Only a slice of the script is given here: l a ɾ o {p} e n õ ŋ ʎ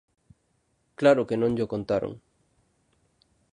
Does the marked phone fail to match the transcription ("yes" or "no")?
yes